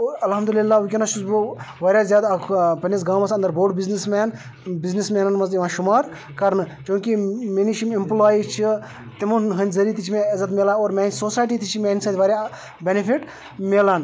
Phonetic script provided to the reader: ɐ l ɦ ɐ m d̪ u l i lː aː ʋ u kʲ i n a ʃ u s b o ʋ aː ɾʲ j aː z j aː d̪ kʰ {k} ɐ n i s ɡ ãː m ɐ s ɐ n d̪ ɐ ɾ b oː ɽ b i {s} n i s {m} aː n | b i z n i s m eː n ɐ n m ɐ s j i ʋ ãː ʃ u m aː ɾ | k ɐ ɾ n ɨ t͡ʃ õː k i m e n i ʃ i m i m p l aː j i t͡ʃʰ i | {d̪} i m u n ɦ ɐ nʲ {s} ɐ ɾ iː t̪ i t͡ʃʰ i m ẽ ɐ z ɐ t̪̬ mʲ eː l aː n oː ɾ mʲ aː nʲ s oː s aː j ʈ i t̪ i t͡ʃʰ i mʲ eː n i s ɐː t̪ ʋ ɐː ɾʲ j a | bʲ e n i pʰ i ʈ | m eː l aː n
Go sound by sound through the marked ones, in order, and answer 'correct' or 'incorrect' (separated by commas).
incorrect, incorrect, correct, incorrect, incorrect